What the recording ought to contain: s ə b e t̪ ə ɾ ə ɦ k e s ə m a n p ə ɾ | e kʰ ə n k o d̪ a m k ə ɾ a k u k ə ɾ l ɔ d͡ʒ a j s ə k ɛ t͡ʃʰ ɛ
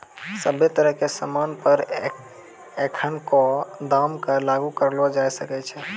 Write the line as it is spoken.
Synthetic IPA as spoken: s ə b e t̪ ə ɾ ə ɦ k e s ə m a n p ə ɾ | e kʰ ə n k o d̪ a m k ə l a ɡ u k ə ɾ l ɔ d͡ʒ a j s ə k ɛ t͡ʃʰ ɛ